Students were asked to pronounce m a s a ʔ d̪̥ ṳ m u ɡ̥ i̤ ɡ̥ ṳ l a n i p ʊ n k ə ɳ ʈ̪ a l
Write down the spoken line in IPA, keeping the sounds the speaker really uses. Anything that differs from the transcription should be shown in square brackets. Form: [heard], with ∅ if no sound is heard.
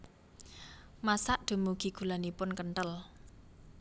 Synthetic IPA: m a s a ʔ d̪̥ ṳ m u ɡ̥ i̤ ɡ̥ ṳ l a n i p ʊ n k ə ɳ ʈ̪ [ə] l